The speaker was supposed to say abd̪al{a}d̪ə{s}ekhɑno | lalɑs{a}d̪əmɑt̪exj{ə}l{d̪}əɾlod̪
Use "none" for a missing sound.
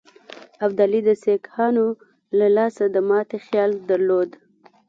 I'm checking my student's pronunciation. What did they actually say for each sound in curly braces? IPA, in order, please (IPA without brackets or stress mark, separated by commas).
i, s, a, ɑ, d̪